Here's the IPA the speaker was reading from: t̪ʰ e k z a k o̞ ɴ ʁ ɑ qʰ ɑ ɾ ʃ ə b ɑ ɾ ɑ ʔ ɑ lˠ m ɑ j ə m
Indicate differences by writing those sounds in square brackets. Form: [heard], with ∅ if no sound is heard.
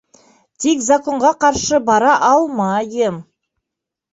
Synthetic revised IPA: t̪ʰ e k z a k o̞ ɴ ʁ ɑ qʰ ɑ ɾ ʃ ə b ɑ ɾ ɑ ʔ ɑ lˠ m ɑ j ə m